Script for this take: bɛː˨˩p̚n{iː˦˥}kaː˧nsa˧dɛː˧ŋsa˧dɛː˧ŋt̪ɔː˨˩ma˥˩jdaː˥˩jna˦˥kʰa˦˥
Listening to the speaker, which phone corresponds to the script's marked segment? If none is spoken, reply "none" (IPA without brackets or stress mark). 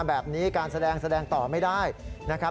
iː˦˥